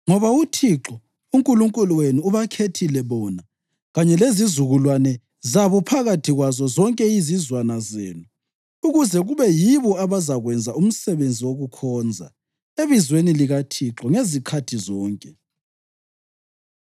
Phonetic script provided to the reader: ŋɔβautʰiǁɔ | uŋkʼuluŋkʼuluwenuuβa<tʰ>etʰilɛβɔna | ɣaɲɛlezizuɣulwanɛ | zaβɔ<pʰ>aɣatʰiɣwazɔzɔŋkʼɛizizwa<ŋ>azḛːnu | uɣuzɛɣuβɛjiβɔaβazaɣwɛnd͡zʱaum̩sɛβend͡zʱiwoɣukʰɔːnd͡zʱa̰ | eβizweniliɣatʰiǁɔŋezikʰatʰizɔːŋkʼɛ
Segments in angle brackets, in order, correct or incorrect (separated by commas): incorrect, correct, incorrect